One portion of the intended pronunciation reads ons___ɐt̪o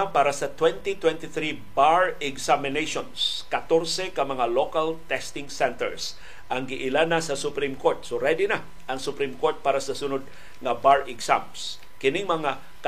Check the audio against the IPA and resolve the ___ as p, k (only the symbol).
k